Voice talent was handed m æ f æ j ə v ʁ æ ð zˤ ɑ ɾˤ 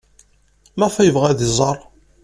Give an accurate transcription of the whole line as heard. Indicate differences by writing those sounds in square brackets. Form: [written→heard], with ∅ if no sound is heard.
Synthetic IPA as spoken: m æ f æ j ə v ʁ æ ð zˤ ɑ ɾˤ